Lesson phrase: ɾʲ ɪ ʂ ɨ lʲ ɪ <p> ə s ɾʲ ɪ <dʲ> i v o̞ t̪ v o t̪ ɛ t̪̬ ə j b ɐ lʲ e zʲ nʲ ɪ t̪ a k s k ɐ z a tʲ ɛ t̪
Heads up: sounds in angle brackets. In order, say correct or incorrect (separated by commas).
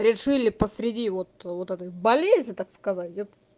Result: correct, correct